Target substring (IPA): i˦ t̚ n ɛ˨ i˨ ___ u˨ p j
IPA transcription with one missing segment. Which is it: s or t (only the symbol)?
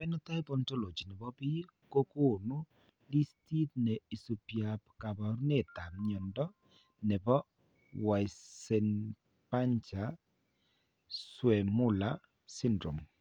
s